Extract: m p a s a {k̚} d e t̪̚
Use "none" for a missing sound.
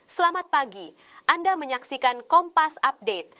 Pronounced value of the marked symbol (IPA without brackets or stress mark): p̚